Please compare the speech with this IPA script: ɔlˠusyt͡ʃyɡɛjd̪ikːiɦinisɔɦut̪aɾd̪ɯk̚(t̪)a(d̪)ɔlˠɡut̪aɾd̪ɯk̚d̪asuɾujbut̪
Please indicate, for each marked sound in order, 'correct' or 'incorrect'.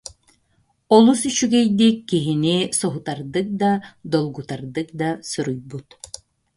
incorrect, correct

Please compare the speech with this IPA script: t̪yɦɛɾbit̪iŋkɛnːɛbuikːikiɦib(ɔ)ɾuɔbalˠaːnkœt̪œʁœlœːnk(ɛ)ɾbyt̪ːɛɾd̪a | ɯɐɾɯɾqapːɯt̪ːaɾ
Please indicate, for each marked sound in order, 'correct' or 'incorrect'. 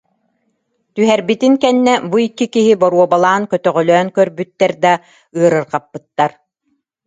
correct, incorrect

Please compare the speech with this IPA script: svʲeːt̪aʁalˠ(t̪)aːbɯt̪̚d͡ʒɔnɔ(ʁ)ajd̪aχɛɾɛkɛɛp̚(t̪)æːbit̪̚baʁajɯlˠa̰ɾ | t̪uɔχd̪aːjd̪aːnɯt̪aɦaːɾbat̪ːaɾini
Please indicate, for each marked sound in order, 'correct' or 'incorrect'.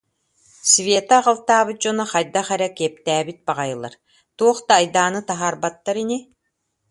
correct, incorrect, correct

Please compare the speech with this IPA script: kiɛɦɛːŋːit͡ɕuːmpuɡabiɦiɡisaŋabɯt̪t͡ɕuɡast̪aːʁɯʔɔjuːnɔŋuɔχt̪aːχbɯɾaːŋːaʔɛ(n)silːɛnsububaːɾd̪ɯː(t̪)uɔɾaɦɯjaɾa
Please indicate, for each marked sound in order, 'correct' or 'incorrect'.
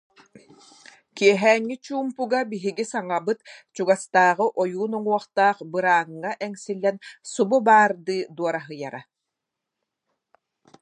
incorrect, incorrect

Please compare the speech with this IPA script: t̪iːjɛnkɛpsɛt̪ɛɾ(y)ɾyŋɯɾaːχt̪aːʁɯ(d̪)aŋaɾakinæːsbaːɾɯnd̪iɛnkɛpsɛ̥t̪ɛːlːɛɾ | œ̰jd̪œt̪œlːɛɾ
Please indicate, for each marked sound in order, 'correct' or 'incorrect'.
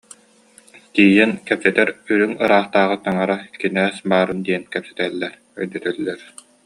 correct, incorrect

